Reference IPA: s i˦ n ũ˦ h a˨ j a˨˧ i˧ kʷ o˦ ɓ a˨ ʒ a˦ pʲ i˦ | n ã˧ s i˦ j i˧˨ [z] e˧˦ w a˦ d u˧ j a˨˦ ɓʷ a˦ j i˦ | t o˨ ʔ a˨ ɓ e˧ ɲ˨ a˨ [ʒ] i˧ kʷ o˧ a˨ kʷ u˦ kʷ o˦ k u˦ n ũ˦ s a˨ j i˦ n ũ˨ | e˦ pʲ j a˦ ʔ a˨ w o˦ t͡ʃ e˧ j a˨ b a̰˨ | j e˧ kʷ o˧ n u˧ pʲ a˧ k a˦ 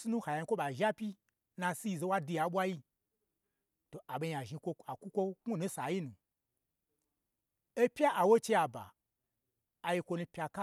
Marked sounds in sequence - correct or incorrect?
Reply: correct, correct

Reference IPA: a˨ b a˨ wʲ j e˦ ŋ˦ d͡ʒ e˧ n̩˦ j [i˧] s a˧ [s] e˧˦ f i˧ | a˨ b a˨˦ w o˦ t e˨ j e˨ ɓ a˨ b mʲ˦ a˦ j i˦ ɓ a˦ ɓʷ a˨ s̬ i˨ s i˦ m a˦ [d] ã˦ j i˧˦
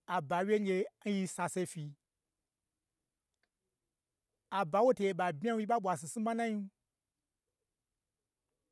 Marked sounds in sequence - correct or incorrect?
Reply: correct, correct, incorrect: n

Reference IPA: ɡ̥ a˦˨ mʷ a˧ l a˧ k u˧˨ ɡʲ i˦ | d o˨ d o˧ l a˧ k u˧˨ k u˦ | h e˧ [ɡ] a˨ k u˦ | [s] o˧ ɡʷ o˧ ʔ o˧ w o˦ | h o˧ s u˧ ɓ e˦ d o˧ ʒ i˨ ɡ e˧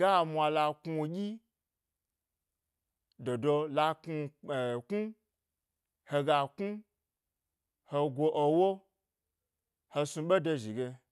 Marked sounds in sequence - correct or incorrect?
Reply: correct, incorrect: h

